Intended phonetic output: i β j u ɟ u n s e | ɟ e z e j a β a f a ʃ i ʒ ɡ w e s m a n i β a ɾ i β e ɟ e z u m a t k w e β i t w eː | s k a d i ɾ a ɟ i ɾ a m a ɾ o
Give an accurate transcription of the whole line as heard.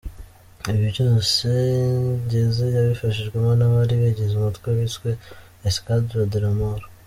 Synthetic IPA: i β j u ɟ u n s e | ɟ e z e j a β i f a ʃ i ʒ ɡ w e m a n a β a ɾ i β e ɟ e z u m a t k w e β i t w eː | s k a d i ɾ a d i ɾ a m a ɾ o